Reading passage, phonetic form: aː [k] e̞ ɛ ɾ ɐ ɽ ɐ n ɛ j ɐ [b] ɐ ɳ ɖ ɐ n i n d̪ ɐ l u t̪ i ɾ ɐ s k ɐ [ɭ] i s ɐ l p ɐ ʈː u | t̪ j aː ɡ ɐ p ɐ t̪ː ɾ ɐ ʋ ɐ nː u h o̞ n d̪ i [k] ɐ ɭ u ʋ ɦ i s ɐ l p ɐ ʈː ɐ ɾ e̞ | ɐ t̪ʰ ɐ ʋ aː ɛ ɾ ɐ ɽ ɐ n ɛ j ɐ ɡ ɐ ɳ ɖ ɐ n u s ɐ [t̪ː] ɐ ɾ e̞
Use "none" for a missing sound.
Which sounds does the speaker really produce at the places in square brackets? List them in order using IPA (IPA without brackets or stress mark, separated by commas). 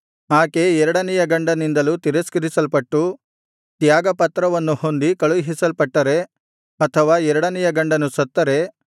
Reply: k, ɡ, ɾ, k, t̪ː